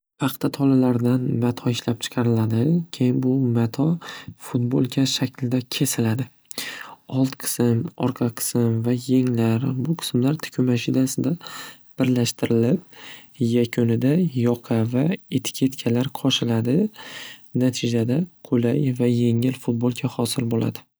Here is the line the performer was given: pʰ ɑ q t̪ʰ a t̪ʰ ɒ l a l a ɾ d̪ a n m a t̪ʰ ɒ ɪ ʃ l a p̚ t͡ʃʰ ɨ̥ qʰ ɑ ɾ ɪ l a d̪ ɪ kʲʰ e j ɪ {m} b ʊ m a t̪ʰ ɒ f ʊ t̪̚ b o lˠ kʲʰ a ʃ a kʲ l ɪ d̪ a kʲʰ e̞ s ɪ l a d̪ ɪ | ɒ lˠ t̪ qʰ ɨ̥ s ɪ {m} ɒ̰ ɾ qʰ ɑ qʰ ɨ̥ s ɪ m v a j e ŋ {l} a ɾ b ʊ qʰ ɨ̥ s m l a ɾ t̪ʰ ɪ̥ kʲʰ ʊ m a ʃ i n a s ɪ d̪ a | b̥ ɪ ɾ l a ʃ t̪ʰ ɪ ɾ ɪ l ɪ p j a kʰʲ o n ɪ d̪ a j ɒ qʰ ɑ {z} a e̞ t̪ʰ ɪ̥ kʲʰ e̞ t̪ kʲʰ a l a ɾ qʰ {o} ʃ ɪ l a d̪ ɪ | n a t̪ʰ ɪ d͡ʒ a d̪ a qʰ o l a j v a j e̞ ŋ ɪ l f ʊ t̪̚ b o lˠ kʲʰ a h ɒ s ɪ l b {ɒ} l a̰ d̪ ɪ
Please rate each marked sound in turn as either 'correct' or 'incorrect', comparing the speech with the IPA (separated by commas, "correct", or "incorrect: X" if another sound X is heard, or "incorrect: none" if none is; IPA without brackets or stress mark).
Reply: incorrect: n, correct, correct, incorrect: v, incorrect: ɒ, incorrect: o